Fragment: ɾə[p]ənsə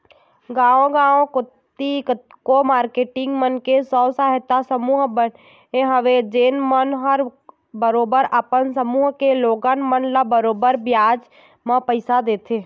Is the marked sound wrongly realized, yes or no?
no